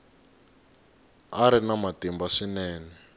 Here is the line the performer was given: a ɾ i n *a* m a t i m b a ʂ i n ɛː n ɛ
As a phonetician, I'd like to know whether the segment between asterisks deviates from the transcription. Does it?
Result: no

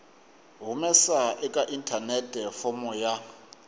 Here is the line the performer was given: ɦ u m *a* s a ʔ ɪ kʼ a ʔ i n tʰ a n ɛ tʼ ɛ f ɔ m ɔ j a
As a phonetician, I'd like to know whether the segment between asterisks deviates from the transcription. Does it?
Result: yes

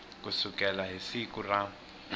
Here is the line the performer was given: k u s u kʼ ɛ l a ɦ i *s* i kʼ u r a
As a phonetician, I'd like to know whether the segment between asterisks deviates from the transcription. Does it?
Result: no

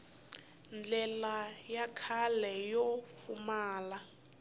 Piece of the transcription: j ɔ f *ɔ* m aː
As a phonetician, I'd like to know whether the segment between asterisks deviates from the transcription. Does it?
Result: yes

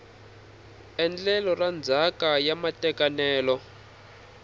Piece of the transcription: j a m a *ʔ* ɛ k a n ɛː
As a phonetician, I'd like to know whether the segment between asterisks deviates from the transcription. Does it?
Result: yes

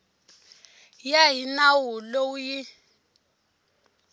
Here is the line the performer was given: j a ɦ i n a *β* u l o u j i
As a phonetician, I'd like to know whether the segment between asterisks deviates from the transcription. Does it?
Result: yes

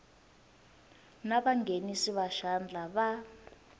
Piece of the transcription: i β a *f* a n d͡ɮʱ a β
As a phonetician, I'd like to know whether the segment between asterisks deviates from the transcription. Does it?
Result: yes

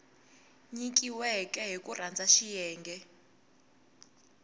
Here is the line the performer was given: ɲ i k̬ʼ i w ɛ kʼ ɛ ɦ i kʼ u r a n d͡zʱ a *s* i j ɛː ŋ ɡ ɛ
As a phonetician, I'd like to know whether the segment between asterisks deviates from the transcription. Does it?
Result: yes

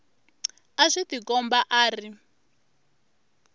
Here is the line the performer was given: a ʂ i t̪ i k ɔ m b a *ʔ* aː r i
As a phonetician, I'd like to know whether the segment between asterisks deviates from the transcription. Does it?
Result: no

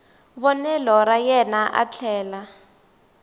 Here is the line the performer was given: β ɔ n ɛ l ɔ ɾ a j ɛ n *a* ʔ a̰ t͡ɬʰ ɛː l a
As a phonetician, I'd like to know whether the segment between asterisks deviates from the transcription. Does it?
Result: no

